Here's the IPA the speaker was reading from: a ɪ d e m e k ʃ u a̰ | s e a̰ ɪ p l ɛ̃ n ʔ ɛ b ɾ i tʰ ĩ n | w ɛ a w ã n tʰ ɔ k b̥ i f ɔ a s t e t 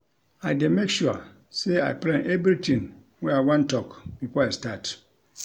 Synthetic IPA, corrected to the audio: a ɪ d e m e k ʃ u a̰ | s e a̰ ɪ p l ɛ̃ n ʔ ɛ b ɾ i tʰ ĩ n | w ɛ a w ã n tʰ ɔ k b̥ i f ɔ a s t a t